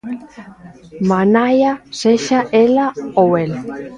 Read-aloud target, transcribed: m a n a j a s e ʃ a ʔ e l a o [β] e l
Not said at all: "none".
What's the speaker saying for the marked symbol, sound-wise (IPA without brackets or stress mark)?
w